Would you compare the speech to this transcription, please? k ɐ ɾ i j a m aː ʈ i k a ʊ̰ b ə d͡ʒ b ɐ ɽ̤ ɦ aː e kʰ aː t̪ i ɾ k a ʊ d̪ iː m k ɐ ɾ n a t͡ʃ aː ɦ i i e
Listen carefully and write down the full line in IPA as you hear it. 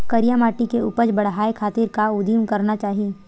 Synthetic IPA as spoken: k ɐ ɾ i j a m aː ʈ i k e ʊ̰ p ə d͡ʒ b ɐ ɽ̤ ɦ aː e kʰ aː t̪ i ɾ k a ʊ d̪ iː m k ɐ ɾ n a t͡ʃ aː ɦ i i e